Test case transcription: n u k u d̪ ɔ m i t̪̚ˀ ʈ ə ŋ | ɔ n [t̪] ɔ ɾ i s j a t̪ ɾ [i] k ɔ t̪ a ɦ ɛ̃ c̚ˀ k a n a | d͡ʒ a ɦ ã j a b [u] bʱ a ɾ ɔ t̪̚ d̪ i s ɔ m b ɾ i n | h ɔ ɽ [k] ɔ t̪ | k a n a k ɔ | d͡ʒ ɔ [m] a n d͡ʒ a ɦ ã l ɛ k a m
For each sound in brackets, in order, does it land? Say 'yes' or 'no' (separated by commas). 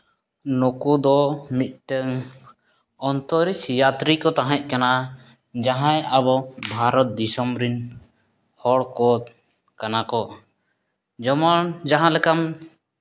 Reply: yes, yes, no, yes, yes